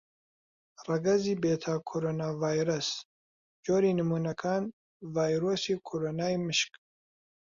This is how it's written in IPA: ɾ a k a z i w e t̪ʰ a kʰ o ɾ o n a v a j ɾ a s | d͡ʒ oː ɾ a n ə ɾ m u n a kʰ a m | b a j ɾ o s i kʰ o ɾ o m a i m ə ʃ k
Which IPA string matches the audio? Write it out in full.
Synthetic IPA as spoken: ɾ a ɡ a z i b e t̪ʰ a kʰ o ɾ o n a v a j ɾ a s | d͡ʒ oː ɾ i n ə m u n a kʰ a n | v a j ɾ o s i kʰ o ɾ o n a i m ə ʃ k